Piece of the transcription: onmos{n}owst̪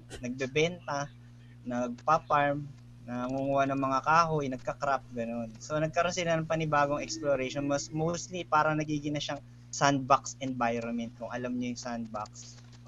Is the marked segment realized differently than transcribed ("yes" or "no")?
yes